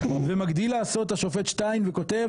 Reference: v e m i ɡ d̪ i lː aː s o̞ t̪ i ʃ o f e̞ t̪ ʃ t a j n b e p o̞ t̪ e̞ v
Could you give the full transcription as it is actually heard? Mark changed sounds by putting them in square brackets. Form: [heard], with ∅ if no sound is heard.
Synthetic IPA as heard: v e m [a] ɡ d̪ i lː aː s o̞ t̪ [a] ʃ o f e̞ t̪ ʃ t a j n [v] e [k] o̞ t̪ e̞ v